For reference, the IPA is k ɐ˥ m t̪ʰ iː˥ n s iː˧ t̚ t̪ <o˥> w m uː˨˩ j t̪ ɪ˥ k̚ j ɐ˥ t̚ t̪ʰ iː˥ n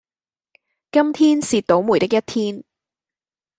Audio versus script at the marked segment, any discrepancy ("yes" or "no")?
yes